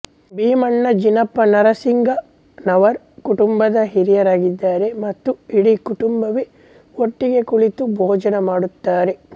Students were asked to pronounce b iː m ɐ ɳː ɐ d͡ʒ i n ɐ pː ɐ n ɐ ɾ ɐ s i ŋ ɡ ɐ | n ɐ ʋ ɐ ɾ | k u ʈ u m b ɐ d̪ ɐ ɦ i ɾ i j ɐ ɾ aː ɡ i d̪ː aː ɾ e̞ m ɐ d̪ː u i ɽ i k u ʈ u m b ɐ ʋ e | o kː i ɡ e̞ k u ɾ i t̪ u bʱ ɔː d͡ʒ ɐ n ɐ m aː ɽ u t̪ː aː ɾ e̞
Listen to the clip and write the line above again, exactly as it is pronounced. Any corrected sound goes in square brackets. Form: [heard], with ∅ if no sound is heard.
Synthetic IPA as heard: b iː m ɐ ɳː ɐ d͡ʒ i n ɐ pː ɐ n ɐ ɾ ɐ s i ŋ ɡ ɐ | n ɐ ʋ ɐ ɾ | k u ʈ u m b ɐ d̪ ɐ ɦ i ɾ i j ɐ ɾ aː ɡ i d̪ː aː ɾ e̞ m ɐ [t̪ː] u i ɽ i k u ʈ u m b ɐ ʋ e | o [ʈː] i ɡ e̞ k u [ɭ] i t̪ u bʱ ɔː d͡ʒ ɐ n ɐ m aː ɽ u t̪ː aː ɾ e̞